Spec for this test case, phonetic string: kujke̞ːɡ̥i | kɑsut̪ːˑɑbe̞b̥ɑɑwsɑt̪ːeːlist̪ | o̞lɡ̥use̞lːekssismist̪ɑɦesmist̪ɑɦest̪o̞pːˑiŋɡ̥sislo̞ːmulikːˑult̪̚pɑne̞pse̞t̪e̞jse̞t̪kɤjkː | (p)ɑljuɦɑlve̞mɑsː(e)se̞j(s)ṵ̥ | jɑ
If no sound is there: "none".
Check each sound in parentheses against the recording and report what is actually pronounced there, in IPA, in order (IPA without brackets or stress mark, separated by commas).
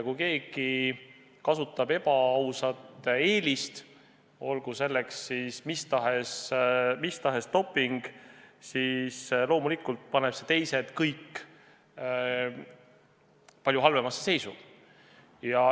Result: p, e, s